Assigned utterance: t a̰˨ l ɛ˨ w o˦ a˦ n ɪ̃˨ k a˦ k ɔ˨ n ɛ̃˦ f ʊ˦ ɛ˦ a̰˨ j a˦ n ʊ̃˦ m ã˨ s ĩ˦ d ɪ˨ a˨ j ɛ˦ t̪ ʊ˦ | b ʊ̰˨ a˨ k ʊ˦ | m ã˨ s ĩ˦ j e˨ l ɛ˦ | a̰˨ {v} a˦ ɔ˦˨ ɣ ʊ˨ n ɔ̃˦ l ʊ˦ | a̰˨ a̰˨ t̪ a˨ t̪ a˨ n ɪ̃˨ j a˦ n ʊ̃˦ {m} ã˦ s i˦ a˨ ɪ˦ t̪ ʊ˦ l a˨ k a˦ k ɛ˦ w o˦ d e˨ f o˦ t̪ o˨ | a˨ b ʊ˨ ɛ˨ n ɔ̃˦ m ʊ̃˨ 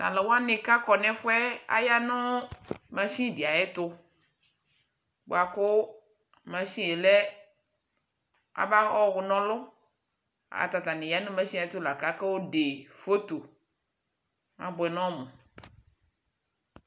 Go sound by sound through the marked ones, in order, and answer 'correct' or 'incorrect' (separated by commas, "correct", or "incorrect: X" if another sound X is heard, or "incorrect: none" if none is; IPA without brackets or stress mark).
incorrect: b, correct